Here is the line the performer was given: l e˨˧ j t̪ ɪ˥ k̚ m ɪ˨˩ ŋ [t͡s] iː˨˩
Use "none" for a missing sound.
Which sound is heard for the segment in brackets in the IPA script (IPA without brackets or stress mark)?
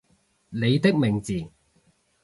t͡s